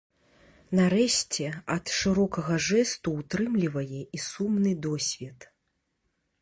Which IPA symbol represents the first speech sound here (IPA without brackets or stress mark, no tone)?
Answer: n